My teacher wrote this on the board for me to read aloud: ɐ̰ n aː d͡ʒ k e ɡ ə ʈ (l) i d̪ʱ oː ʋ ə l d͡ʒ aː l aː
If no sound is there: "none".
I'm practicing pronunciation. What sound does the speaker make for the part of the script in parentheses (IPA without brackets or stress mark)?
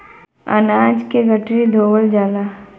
ɾ